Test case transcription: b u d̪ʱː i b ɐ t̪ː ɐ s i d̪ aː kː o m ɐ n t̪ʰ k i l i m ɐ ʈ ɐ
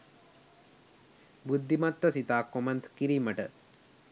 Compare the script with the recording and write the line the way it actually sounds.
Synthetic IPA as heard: b u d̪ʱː i m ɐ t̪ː ɐ s i t̪ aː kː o m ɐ n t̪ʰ k i ɾ i m ɐ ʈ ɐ